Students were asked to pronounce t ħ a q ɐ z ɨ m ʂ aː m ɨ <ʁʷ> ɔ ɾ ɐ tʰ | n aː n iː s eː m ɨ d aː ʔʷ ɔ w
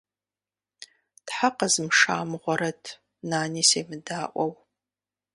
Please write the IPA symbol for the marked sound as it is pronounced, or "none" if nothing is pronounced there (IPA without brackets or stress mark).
ʁʷ